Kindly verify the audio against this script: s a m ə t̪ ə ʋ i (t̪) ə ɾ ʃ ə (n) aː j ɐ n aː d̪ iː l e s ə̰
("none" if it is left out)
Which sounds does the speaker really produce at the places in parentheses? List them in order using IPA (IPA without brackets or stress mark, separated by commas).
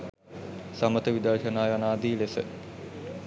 d̪, n